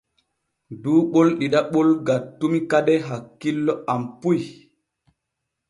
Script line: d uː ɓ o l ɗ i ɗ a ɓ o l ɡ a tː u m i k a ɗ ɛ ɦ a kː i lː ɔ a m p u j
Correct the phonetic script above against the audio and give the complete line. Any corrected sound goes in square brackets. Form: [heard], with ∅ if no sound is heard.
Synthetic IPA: d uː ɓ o l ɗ i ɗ a ɓ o l ɡ a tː u m i k a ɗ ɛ ɦ a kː i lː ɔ a m p u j